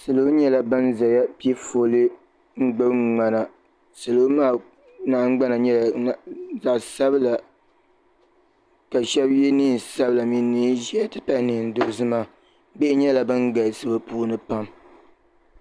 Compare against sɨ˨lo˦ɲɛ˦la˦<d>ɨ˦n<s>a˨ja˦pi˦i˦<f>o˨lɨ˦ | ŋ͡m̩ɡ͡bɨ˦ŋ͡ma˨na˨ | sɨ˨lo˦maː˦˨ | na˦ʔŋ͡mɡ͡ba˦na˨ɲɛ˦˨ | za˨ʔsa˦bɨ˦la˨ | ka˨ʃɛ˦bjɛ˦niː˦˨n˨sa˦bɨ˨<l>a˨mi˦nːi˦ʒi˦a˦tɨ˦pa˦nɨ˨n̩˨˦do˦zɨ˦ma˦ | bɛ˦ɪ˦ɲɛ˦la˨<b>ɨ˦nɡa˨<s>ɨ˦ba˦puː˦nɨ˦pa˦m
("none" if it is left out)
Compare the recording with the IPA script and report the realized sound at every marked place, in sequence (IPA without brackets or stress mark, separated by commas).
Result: b, z, f, l, b, s